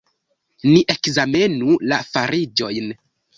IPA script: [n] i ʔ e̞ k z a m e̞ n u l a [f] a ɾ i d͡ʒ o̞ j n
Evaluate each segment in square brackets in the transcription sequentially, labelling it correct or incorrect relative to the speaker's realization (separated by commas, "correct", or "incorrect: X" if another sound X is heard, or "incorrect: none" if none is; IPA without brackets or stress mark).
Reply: correct, correct